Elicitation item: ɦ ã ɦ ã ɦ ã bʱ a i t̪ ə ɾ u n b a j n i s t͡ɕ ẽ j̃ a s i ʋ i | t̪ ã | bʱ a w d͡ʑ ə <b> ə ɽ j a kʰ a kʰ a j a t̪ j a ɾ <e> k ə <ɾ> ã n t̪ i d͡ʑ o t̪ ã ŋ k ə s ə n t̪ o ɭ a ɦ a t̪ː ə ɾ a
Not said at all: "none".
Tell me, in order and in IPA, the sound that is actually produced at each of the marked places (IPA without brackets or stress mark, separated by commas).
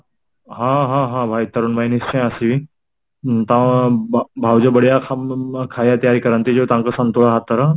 b, i, ɾ